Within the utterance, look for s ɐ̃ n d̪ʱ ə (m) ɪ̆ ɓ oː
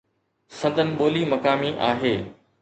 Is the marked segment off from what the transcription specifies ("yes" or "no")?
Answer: yes